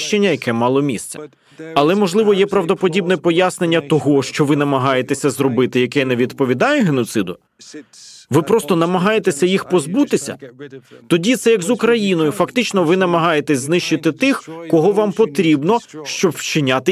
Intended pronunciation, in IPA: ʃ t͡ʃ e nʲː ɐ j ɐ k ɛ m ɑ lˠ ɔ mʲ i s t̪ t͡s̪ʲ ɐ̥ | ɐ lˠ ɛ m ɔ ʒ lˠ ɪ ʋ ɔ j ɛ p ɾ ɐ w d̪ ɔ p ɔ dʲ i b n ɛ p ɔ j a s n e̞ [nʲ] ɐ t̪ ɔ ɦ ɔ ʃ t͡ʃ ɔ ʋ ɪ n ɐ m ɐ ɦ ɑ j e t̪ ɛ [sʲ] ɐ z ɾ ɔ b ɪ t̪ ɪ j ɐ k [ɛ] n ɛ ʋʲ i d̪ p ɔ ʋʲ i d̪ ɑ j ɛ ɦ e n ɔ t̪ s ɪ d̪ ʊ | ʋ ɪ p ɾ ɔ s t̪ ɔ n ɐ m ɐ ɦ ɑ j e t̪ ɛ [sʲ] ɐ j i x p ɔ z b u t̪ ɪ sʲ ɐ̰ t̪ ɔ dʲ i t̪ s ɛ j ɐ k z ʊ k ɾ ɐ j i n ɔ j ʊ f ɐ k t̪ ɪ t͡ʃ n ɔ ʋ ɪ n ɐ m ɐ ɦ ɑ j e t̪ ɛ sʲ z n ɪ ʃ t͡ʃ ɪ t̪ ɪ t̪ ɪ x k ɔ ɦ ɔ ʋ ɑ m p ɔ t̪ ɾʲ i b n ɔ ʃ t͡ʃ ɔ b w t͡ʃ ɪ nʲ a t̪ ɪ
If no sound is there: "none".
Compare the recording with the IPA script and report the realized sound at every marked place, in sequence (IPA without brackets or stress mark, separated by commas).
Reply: nʲː, sʲ, ɛ, sʲ